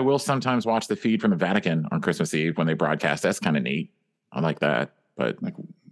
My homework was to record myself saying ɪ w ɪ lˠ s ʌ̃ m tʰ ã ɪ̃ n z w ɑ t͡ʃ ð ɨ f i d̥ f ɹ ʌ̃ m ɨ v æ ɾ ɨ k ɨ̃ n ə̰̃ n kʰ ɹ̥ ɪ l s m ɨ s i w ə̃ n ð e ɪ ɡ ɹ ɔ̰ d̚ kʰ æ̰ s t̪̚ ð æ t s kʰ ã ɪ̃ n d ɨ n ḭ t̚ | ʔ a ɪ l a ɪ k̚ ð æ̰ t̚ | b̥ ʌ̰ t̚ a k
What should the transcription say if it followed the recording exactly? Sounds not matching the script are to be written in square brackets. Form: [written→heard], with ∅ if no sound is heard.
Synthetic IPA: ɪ w ɪ lˠ s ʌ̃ m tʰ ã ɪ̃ [n→m] z w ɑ t͡ʃ ð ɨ f i d̥ f ɹ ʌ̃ m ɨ v æ ɾ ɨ k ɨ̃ n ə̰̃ n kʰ ɹ̥ ɪ [l→∅] s m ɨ s i w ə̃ n ð e ɪ [ɡ→b] ɹ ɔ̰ d̚ kʰ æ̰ s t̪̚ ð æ t s kʰ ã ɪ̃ n d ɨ n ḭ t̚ | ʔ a ɪ l a ɪ k̚ ð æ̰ t̚ | b̥ ʌ̰ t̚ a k